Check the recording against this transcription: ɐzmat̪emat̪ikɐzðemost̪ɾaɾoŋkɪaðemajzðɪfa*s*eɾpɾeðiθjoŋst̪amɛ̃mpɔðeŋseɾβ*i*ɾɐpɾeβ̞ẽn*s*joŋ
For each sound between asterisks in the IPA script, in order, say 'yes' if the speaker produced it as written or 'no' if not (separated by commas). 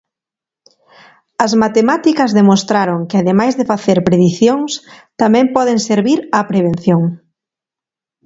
no, yes, no